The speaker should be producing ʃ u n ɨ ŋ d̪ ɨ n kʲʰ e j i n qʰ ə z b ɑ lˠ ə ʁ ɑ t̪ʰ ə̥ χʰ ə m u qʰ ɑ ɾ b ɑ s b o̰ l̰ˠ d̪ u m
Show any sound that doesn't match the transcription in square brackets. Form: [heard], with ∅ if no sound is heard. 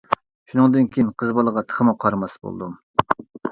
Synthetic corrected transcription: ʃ u n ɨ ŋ d̪ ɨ n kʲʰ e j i n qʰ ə z b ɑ lˠ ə ʁ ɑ t̪ʰ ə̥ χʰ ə m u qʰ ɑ ɾ [m] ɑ s b o̰ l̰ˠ d̪ u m